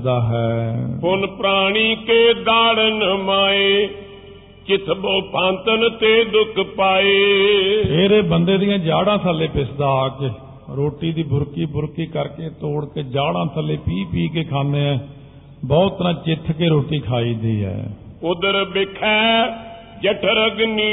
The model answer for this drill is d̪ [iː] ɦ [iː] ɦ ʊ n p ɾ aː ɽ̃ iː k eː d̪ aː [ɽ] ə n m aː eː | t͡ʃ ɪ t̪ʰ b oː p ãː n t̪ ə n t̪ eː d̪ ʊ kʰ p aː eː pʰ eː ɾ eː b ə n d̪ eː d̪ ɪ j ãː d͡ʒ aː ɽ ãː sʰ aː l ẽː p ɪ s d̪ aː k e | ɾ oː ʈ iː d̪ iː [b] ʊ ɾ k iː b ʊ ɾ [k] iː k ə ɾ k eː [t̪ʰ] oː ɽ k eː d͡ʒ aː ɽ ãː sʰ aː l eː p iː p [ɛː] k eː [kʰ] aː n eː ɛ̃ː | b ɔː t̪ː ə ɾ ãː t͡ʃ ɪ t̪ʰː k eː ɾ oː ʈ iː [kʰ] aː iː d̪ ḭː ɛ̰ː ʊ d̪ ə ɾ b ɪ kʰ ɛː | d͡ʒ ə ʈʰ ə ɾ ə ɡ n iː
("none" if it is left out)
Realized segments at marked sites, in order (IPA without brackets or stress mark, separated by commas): aː, ɛː, ɽ, b, k, t̪, iː, kʰ, kʰ